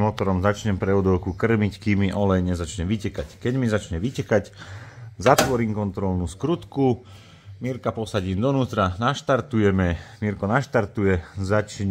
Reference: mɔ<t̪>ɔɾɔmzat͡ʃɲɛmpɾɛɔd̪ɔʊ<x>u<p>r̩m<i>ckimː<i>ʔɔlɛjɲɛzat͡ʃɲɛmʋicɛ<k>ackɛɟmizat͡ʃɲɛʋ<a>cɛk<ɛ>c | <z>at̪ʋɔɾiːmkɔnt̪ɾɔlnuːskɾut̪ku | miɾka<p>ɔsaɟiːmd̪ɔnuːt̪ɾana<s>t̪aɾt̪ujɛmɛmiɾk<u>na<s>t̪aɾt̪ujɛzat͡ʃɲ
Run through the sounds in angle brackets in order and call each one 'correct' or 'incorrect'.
correct, incorrect: k, incorrect: k, correct, correct, correct, incorrect: i, incorrect: a, correct, correct, incorrect: ʃ, incorrect: ɔ, incorrect: ʃ

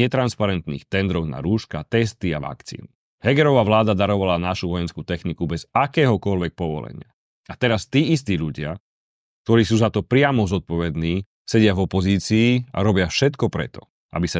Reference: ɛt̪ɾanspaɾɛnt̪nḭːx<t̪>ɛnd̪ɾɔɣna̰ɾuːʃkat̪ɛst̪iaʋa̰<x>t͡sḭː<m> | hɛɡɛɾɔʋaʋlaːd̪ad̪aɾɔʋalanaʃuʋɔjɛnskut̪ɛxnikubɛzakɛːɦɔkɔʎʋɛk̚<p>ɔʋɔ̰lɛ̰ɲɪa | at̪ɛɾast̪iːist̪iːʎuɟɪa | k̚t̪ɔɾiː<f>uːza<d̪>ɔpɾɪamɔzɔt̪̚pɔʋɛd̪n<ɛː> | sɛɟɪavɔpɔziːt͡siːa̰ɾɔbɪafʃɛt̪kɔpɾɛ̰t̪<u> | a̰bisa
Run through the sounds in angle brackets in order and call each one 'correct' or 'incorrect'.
correct, incorrect: k, incorrect: n, correct, incorrect: s, incorrect: t̪, incorrect: iː, incorrect: ɔ

